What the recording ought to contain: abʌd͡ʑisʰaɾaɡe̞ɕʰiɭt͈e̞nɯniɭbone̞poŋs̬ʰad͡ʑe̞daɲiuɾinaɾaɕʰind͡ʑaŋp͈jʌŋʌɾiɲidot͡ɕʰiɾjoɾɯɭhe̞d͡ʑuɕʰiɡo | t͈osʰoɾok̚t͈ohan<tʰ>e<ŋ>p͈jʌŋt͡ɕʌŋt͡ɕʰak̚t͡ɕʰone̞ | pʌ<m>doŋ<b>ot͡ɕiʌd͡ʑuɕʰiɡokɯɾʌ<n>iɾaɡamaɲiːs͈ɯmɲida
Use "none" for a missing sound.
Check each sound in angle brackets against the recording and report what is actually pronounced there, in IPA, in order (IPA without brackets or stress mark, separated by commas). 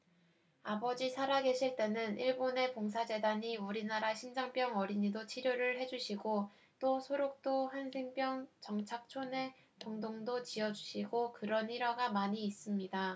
sʰ, ŋ, ŋ, d, n